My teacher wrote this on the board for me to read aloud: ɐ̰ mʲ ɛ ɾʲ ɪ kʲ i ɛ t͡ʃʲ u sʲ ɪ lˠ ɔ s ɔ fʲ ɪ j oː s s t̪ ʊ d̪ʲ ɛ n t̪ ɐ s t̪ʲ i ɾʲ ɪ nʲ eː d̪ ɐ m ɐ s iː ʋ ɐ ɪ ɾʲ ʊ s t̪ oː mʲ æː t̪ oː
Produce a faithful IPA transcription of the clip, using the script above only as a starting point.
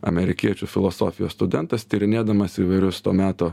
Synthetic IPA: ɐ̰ mʲ ɛ ɾʲ ɪ kʲ i ɛ t͡ʃʲ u fʲ ɪ lˠ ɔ s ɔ fʲ ɪ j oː s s t̪ ʊ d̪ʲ ɛ n t̪ ɐ s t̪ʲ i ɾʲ ɪ nʲ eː d̪ ɐ m ɐ s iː ʋ ɐ ɪ ɾʲ ʊ s t̪ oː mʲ æː t̪ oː